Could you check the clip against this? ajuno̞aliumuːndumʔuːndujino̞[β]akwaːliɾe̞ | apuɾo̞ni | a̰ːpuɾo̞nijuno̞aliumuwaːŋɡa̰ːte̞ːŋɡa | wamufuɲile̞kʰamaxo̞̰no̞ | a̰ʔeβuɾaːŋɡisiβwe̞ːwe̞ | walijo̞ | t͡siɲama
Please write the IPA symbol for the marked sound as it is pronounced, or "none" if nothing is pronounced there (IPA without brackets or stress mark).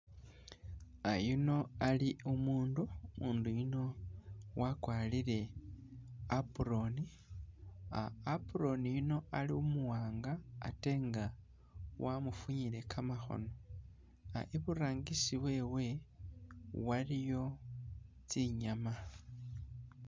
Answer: w